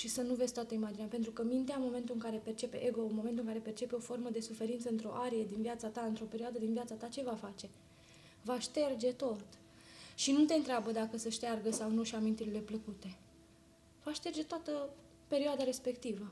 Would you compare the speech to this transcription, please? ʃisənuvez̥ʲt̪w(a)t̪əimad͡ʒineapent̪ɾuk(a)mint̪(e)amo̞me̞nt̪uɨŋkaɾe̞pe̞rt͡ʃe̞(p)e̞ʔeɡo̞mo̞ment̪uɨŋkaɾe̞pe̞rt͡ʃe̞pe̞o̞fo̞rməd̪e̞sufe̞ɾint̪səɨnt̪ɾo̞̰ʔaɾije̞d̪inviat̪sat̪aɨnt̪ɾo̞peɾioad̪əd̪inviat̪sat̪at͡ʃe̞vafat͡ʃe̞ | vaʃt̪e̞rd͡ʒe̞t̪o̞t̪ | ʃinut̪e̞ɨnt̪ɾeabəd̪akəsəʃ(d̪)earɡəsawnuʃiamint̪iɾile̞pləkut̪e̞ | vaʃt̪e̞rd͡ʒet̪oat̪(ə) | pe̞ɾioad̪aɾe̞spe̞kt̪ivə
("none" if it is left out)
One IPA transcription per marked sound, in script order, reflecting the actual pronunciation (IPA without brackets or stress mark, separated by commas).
a, ə, e, p, t̪, ə